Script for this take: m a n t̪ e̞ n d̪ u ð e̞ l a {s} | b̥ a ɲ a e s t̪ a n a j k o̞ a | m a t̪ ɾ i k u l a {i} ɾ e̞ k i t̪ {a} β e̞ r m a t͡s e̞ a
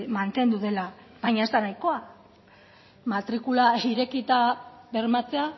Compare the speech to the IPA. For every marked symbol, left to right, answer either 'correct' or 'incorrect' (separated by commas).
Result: incorrect, correct, correct